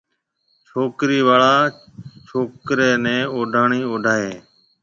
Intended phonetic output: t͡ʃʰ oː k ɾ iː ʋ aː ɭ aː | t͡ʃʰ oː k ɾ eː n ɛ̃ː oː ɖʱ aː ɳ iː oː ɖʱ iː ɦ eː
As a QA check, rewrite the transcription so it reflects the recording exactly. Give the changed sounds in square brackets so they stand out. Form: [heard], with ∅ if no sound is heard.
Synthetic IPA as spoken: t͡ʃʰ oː k ɾ iː ʋ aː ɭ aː | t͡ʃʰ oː k ɾ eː n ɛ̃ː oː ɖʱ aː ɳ iː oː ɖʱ [aː] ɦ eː